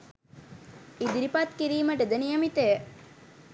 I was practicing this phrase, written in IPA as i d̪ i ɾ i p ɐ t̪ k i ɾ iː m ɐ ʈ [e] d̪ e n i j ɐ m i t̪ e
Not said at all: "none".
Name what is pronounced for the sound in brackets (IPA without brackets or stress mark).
e